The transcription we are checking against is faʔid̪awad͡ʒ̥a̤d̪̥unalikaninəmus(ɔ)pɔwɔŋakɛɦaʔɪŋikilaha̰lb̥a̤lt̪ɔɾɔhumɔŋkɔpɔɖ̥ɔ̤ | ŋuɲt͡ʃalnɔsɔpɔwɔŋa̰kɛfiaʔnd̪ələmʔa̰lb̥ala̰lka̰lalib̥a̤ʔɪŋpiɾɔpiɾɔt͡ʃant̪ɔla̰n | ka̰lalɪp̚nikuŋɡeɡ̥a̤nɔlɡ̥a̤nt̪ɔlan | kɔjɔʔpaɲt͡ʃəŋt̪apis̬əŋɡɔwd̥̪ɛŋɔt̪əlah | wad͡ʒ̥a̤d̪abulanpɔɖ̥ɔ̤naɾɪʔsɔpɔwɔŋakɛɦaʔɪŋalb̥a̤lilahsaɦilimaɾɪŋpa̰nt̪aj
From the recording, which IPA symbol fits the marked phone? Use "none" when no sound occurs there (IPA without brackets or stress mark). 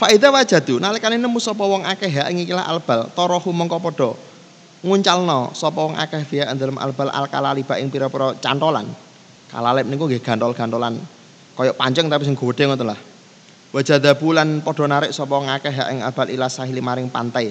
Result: ɔ